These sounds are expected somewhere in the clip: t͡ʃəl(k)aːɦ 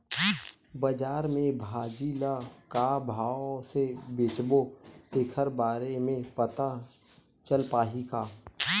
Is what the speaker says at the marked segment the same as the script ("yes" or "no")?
no